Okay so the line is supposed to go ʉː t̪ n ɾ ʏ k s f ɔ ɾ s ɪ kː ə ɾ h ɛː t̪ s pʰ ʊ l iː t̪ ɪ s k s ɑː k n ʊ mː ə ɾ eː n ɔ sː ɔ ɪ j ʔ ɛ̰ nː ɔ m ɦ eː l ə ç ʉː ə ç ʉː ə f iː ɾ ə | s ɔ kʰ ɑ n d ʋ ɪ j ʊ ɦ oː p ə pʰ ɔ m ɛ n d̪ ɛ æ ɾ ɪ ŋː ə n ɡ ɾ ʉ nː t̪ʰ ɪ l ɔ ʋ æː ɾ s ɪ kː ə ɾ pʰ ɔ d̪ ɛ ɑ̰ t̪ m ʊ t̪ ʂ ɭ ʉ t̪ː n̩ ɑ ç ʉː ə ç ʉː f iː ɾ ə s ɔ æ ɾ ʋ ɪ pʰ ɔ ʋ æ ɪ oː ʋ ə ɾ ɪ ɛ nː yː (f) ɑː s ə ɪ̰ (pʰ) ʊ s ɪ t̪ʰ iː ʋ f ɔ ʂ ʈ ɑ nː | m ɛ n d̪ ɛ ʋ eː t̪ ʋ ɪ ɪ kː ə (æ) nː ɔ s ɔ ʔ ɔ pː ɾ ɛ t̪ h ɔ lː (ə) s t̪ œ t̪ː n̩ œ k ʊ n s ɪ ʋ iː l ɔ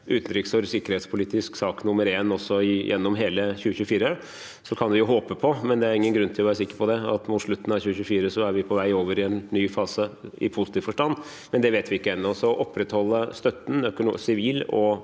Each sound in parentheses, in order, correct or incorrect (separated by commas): correct, correct, incorrect, correct